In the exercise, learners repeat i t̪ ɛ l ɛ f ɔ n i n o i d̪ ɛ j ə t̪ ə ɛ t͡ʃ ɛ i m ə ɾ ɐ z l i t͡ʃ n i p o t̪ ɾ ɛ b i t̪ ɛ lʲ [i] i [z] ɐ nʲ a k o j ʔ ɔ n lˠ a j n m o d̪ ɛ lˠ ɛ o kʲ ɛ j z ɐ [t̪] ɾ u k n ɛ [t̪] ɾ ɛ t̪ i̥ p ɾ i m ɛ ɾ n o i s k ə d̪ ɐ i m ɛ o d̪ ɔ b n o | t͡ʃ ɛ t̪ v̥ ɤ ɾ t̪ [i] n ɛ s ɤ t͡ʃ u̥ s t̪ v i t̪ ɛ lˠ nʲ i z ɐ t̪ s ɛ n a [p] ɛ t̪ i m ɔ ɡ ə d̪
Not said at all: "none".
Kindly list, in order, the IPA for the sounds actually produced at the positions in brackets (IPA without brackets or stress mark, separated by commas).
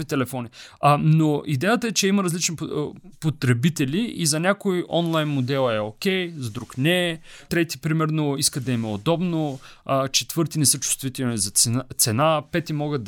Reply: i, z, d̪, t̪, i, p